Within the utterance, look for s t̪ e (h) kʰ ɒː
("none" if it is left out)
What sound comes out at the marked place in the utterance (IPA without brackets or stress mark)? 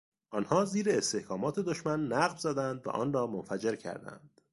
h